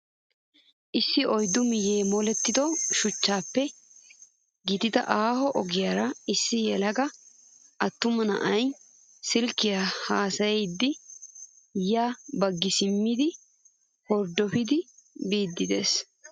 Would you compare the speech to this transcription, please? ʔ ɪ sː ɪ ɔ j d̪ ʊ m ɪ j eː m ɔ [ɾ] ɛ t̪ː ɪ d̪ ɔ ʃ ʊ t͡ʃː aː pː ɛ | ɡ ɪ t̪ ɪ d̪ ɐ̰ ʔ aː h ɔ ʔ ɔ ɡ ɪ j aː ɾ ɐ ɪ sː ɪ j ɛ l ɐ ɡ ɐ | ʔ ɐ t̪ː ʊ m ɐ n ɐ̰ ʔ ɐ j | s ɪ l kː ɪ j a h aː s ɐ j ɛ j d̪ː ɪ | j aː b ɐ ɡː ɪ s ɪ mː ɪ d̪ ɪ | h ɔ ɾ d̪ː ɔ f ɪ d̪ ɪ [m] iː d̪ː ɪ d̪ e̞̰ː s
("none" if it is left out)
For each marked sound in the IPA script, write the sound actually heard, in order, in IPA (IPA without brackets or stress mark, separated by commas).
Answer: l, b